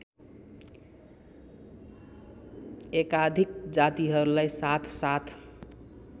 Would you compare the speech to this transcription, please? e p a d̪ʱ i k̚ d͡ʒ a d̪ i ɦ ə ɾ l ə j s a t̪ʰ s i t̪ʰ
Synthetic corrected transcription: e k a d̪ʱ i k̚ d͡ʒ a t̪ i ɦ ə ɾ l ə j s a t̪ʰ s a t̪ʰ